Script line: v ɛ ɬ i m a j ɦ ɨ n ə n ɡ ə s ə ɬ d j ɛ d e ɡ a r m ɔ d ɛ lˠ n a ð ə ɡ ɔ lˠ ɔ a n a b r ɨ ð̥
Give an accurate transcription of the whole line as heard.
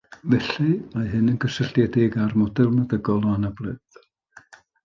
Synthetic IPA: v ɛ ɬ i m a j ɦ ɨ n ə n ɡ ə s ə ɬ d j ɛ d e ɡ a r m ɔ d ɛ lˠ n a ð ə ɡ ɔ lˠ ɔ a n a b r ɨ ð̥